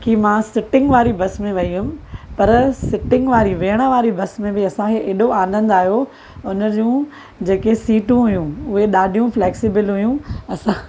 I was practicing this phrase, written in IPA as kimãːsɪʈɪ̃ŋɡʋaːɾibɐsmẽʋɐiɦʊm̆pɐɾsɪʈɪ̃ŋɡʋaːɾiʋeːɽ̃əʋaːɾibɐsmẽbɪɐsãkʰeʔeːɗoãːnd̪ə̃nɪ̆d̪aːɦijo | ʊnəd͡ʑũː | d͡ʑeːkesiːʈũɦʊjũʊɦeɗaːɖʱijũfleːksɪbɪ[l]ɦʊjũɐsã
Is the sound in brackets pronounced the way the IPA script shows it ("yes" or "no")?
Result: yes